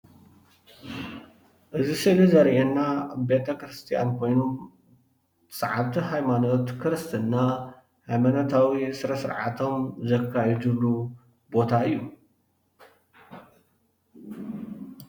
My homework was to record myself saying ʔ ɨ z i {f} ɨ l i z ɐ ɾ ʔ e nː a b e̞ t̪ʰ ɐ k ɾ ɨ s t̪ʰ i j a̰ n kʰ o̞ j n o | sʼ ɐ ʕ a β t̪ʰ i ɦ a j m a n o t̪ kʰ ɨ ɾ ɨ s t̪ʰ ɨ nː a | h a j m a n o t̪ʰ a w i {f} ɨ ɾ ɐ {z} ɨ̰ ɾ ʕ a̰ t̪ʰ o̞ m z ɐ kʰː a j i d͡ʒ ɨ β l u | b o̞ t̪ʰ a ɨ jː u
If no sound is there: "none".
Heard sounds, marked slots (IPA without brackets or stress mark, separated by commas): s, s, s